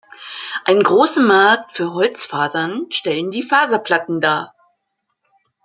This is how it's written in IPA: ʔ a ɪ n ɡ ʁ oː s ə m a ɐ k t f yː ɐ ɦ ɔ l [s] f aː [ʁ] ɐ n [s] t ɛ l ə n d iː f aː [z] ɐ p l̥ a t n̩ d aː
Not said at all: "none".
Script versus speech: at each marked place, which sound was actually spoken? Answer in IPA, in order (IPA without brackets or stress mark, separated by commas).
t͡s, z, ʃ, z